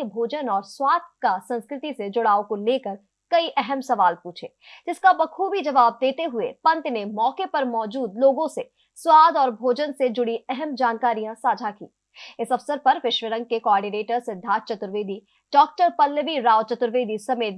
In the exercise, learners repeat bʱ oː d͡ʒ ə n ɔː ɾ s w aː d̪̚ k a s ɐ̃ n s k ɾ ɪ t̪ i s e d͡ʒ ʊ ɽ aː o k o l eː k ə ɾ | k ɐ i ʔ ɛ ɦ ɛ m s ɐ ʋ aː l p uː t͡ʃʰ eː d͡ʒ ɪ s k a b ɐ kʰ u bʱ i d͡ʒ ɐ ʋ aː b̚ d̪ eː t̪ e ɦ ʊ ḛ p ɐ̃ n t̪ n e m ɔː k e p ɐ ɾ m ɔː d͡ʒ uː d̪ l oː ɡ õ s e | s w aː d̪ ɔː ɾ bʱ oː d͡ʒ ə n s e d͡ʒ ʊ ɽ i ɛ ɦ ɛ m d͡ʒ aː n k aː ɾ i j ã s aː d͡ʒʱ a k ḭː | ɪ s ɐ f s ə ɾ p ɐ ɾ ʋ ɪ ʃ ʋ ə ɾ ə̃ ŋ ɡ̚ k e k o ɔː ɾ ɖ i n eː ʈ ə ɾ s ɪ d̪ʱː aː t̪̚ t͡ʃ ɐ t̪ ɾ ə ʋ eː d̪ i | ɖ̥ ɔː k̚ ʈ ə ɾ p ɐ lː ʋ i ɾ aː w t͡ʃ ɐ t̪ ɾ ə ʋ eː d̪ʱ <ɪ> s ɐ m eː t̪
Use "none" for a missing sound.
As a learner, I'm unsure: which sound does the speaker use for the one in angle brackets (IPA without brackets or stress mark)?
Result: i